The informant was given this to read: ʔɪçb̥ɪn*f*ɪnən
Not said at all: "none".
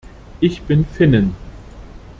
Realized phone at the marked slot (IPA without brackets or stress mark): f